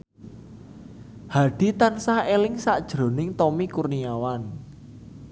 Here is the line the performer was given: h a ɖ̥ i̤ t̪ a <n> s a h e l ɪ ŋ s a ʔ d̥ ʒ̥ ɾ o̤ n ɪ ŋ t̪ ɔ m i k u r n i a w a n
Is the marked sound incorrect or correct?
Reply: correct